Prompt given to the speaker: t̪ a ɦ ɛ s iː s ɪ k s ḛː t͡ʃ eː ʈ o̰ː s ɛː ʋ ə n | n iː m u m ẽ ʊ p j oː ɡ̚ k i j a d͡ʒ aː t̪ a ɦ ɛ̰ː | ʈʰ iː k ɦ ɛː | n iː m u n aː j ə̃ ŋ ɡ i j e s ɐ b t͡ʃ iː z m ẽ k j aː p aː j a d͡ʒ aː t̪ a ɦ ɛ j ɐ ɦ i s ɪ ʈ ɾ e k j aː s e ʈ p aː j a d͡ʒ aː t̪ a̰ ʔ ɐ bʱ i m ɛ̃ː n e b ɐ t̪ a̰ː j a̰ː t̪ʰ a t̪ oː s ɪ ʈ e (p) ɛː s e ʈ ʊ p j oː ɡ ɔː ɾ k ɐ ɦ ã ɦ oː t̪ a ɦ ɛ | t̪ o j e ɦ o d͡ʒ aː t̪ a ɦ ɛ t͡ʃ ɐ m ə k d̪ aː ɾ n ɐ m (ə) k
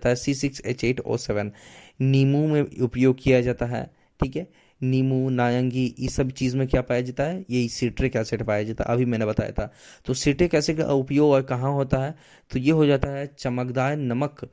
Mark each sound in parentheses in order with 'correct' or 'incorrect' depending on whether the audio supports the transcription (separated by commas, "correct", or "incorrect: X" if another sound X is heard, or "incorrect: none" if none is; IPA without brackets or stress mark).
incorrect: k, correct